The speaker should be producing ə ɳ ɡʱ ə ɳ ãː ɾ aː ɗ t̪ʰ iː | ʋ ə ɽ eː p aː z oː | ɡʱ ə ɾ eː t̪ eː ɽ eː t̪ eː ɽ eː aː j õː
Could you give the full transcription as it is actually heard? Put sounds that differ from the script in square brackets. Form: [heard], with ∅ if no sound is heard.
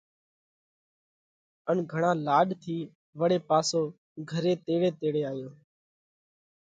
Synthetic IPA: ə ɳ ɡʱ ə ɳ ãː [l] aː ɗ t̪ʰ iː | ʋ ə ɽ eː p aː [s] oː | ɡʱ ə ɾ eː t̪ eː ɽ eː t̪ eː ɽ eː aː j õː